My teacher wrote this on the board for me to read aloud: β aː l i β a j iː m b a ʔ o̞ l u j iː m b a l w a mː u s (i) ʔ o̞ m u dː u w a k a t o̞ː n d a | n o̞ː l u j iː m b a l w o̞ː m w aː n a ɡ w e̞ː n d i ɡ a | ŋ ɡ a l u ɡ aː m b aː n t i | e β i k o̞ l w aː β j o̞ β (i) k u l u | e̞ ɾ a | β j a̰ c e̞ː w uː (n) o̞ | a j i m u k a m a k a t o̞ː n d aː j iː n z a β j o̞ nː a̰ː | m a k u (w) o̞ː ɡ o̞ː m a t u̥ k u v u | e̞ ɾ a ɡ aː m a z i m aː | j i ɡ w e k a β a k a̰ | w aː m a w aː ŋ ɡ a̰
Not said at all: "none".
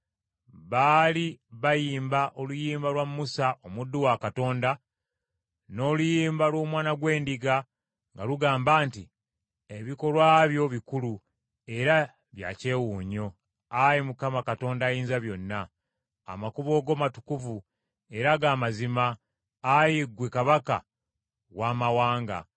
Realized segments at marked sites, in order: a, i, ɲ, β

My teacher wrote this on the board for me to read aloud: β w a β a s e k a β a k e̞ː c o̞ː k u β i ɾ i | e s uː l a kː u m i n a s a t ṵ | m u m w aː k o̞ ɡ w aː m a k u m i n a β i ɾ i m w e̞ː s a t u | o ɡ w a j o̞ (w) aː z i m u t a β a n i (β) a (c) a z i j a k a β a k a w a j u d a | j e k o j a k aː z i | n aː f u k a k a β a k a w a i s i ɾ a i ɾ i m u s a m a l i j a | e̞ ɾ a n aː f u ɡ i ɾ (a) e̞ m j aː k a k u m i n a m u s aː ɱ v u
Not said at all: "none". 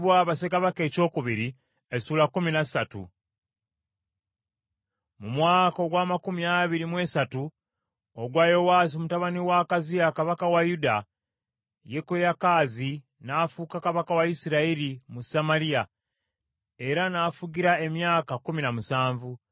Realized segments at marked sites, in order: w, w, k, a

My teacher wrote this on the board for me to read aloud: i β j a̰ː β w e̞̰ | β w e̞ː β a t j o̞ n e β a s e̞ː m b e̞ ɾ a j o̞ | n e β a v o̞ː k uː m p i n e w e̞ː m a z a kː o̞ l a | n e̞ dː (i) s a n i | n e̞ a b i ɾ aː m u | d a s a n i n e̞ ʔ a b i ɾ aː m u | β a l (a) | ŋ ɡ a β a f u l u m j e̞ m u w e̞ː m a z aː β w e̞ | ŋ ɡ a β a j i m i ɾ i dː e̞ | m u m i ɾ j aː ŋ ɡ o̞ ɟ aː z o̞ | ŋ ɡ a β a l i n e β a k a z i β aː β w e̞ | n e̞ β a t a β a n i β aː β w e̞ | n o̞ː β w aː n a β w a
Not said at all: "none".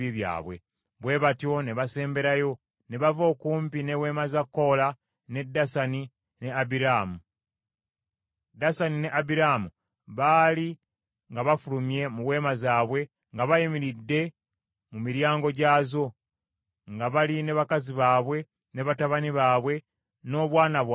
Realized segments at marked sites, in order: a, i

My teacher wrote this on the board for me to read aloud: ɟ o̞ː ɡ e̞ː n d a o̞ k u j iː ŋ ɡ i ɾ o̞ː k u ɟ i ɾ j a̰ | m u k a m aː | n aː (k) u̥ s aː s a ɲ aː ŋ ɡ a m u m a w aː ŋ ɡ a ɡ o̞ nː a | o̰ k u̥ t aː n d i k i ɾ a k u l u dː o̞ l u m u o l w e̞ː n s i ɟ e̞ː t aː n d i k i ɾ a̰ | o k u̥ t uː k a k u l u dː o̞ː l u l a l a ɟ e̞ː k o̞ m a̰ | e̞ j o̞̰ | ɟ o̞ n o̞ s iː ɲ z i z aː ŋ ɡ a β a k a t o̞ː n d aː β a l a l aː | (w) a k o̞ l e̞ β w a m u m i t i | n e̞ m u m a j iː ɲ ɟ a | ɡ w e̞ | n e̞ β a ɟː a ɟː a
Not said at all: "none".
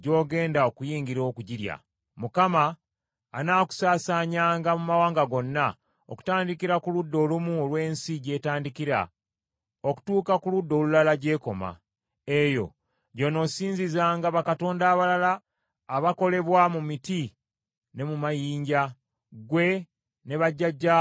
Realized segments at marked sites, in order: k, β

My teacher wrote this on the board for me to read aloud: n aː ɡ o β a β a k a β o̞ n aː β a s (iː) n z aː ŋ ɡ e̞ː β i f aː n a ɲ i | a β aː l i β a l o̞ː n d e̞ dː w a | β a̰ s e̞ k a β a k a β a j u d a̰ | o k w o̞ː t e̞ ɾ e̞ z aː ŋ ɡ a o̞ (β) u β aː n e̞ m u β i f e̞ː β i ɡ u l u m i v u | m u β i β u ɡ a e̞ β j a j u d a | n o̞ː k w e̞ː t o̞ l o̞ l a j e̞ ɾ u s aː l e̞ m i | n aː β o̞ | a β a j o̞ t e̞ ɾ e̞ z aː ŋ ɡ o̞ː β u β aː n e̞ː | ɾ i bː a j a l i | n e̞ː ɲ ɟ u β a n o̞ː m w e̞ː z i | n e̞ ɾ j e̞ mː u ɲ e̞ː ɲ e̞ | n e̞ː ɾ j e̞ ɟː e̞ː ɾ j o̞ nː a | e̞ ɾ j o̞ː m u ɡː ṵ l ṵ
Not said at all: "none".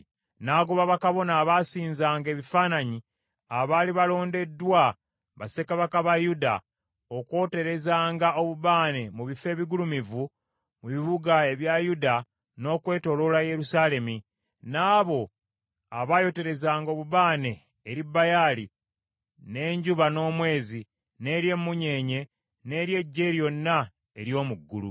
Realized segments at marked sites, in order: iː, β

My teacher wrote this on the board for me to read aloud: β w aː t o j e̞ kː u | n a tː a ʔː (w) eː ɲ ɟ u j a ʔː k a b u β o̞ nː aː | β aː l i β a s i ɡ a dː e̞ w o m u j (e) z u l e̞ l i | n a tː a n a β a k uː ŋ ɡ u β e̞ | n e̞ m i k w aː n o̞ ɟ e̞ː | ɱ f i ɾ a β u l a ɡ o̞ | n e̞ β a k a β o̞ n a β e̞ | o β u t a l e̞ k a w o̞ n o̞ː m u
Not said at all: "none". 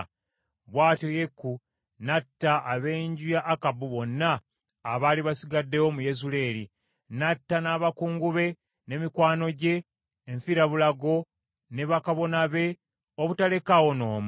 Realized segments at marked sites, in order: β, e

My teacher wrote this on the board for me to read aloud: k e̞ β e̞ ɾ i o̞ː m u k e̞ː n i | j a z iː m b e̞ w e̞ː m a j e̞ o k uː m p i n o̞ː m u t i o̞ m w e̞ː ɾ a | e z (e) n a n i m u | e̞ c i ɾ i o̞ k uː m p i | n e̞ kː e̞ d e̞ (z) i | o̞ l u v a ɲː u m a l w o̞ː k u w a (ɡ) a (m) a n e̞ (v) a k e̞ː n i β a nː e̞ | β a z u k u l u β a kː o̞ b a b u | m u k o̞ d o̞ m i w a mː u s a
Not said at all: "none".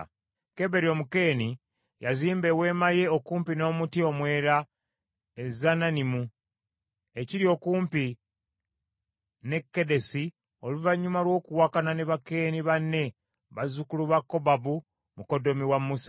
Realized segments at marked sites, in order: a, s, k, n, β

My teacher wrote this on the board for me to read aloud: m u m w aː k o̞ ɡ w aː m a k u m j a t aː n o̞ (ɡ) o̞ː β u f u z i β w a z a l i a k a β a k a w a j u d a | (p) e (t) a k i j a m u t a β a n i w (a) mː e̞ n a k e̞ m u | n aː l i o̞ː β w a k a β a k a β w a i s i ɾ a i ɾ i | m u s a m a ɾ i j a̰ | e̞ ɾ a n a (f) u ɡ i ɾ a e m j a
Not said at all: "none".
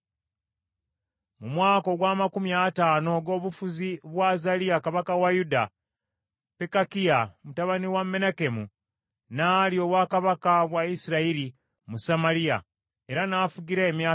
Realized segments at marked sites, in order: ɡ, p, k, a, f

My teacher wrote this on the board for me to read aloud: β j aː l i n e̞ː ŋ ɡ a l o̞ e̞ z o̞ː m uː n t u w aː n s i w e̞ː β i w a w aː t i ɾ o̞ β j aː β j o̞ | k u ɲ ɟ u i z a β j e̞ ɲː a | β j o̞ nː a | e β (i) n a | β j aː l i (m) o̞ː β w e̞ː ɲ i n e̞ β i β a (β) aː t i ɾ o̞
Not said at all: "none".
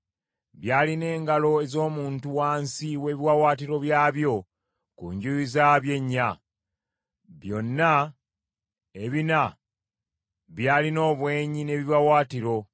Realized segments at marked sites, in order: i, n, w

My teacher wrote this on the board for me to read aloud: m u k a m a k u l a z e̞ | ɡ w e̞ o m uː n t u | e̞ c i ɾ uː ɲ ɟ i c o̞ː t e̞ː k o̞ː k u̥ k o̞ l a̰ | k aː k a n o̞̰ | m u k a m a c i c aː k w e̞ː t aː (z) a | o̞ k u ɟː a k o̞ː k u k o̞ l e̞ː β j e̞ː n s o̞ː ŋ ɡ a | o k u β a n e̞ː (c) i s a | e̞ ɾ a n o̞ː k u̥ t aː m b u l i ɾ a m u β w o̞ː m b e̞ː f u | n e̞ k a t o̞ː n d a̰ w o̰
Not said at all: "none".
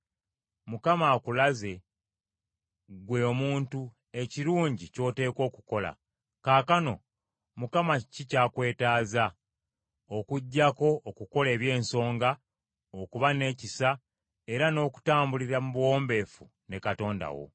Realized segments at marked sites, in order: z, c

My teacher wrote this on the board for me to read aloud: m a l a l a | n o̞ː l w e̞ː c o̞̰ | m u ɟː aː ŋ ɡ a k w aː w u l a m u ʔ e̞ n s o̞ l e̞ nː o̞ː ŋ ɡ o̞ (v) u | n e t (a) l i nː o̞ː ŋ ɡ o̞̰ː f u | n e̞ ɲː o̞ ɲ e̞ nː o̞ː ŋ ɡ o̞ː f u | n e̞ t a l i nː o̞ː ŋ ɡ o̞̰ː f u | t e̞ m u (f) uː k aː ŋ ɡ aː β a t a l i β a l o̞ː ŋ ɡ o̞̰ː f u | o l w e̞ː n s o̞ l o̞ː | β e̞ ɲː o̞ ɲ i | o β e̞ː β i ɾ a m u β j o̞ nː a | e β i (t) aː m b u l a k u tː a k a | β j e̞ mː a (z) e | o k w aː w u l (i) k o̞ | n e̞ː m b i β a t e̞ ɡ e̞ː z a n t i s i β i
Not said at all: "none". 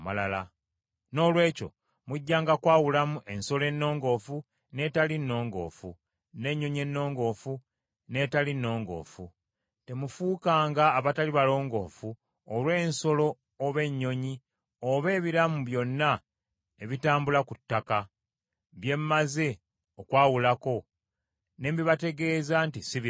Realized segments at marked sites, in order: f, a, f, t, z, a

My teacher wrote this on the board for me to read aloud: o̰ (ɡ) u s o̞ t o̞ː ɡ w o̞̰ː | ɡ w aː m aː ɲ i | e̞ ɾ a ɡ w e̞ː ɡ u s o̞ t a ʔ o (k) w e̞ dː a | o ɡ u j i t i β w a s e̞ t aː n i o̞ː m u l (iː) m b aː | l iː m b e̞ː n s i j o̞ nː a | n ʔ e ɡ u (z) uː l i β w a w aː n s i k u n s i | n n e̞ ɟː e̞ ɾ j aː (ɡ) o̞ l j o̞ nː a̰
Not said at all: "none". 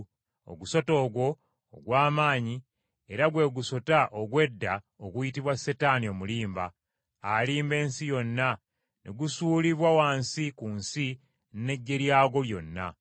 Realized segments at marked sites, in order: ɡ, ɡ, iː, s, ɡ

